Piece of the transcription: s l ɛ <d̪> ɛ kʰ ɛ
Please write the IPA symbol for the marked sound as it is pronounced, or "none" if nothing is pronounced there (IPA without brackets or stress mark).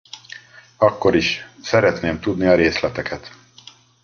t̪